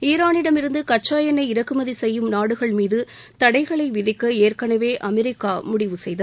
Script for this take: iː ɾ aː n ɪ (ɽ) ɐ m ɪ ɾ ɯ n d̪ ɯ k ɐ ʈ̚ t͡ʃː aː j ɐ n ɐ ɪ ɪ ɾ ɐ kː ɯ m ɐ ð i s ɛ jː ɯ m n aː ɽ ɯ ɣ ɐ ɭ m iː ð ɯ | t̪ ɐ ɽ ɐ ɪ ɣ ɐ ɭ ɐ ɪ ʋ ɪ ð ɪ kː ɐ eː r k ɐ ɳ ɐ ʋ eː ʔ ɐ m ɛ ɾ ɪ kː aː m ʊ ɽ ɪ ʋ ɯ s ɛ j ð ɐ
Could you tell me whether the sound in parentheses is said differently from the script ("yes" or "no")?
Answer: no